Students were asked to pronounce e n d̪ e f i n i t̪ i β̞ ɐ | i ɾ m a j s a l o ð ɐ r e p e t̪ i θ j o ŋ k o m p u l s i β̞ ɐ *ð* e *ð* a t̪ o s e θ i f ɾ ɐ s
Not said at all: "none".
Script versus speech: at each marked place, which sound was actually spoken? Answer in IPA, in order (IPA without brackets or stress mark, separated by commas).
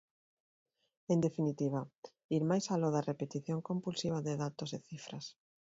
ð, ð